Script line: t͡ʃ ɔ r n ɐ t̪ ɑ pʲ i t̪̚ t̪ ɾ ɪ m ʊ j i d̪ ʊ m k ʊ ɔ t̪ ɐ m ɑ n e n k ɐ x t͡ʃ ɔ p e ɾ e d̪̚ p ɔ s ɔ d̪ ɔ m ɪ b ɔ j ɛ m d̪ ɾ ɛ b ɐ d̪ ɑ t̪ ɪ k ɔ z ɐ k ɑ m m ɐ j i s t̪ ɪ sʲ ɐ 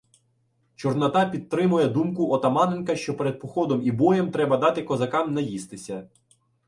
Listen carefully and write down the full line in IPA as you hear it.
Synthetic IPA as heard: t͡ʃ ɔ r n ɐ t̪ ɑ pʲ i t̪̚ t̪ ɾ ɪ m ʊ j ɛ d̪ u m k ʊ ɔ t̪ ɐ m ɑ n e n k ɐ ʃ t͡ʃ ɔ p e ɾ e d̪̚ p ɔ x ɔ d̪ ɔ m i b ɔ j ɛ m t̪ ɾ ɛ b ɐ d̪ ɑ t̪ ɪ k ɔ z ɐ k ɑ m n ɐ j i s t̪ ɪ sʲ ɐ